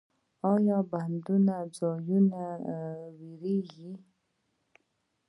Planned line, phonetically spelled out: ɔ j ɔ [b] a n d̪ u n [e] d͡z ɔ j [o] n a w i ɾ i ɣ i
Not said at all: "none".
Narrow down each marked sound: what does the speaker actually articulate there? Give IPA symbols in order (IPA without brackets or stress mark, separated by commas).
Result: b, a, u